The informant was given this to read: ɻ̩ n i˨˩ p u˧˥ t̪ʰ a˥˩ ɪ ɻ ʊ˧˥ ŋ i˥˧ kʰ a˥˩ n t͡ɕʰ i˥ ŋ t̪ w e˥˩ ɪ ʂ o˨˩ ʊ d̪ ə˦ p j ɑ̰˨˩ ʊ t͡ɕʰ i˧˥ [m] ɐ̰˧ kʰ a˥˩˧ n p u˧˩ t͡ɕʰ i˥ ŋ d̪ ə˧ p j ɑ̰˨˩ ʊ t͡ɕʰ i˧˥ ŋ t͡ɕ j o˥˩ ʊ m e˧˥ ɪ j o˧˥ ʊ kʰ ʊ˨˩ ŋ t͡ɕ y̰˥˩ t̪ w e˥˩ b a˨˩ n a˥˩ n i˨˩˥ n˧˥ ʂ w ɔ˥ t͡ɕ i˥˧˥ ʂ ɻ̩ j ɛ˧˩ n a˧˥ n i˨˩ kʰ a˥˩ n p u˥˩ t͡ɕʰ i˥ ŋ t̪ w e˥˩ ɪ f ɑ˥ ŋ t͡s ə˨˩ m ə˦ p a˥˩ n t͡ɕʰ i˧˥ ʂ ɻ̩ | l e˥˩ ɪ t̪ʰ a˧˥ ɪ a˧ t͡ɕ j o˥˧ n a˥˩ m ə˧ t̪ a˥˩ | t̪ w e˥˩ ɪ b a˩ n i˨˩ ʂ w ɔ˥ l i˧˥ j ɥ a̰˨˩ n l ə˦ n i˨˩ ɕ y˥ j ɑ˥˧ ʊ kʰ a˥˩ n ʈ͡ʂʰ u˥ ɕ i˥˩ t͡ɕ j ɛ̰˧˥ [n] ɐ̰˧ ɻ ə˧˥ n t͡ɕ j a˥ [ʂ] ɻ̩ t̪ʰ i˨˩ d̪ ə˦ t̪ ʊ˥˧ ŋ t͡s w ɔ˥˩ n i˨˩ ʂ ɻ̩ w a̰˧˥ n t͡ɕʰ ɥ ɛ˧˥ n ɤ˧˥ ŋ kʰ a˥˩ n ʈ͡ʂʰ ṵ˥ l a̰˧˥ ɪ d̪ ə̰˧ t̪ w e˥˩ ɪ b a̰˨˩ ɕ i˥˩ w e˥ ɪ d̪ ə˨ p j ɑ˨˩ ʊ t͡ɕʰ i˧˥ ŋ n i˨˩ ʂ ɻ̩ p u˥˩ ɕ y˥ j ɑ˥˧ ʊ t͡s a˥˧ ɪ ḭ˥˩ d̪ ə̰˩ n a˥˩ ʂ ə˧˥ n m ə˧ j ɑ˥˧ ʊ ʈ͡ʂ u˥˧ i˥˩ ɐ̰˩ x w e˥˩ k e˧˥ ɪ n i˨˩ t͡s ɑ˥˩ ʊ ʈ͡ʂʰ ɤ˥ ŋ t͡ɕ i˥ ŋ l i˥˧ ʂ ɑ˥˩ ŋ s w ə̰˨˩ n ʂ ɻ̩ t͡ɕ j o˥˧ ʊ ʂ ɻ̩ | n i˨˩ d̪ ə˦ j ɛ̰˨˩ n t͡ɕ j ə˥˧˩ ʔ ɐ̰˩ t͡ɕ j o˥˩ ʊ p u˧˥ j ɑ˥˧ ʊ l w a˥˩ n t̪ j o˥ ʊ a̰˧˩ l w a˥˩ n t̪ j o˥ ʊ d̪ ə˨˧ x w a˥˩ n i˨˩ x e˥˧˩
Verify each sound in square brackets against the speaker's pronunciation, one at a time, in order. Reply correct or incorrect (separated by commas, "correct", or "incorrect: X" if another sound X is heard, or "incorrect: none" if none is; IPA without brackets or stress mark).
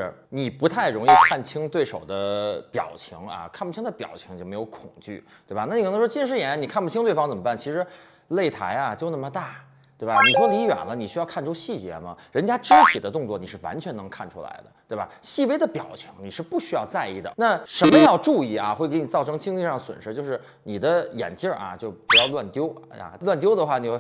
incorrect: ŋ, incorrect: m, incorrect: ʈ͡ʂ